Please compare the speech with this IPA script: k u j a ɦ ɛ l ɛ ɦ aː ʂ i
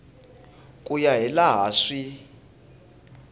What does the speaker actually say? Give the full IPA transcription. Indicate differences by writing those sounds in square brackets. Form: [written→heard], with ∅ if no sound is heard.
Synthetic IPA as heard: [k→kʼ] u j a ɦ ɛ l [ɛ→a] ɦ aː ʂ i